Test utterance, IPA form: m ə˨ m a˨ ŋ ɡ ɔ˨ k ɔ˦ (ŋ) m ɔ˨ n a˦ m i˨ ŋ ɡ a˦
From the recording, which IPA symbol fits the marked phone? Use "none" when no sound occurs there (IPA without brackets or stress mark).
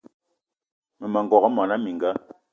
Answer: none